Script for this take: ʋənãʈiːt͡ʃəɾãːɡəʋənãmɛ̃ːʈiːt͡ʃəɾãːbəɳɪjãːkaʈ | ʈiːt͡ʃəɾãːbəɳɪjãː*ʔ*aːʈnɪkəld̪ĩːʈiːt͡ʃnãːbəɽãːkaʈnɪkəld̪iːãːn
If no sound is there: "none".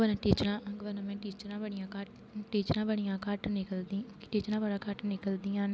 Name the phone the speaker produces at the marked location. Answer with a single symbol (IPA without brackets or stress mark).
k